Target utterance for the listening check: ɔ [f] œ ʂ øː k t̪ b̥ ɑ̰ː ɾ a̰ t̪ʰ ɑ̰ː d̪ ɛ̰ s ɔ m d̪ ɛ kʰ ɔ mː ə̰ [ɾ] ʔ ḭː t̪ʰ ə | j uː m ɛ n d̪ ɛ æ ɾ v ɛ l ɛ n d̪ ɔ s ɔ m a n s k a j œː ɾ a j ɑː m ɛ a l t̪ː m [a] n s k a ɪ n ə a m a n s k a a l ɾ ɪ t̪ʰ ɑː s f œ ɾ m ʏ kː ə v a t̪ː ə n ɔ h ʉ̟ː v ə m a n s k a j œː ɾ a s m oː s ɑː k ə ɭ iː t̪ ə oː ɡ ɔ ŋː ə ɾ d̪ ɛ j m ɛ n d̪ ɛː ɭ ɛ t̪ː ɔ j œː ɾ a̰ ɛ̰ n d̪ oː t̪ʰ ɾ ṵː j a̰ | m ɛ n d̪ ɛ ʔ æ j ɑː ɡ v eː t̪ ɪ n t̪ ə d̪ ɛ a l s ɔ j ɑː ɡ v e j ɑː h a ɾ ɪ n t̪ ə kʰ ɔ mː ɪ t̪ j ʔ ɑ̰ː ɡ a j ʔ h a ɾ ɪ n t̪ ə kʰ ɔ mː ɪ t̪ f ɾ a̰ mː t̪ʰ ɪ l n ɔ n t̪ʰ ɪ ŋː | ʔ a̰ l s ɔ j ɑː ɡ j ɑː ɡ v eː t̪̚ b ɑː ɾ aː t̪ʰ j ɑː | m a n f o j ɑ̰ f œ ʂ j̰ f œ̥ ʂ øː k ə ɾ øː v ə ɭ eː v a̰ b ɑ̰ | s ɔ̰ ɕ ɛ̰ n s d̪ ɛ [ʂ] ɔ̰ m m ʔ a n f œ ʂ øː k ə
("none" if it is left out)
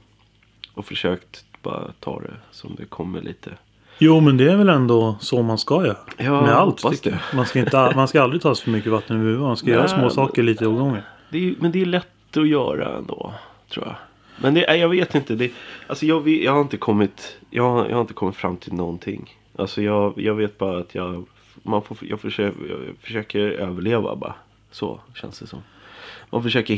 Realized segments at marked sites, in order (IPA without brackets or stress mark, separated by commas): f, ɭ, a, s